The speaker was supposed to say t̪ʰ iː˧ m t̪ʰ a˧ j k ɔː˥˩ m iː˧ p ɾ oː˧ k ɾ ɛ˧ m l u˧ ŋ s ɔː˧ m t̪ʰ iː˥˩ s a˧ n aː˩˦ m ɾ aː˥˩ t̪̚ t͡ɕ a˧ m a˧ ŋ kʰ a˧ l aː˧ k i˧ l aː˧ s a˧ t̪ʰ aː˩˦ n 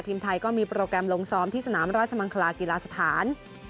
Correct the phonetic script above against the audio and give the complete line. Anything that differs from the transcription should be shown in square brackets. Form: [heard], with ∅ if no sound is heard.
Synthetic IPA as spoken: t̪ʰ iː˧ m t̪ʰ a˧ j k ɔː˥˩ m iː˧ p ɾ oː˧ k ɾ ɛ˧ m l [o˧] ŋ s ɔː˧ m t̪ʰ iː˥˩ s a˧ n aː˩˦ m ɾ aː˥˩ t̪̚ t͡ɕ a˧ m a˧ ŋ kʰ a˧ l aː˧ k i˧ l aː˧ s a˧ t̪ʰ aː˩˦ n